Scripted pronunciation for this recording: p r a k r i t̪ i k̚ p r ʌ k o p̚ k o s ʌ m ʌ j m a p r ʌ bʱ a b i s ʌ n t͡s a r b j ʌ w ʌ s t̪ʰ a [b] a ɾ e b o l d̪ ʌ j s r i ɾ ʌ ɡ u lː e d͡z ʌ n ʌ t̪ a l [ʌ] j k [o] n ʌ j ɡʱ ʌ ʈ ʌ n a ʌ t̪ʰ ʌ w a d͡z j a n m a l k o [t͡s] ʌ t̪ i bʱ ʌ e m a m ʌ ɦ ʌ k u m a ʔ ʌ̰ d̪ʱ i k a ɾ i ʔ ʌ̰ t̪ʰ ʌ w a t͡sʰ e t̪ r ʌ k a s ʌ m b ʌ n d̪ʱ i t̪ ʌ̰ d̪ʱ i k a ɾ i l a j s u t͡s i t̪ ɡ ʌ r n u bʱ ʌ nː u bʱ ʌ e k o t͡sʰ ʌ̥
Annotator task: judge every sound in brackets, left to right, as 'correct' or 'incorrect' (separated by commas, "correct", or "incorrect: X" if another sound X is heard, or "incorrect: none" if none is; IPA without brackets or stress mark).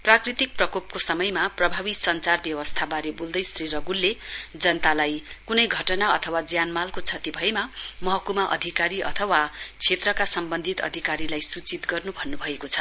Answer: correct, incorrect: a, incorrect: u, incorrect: t͡sʰ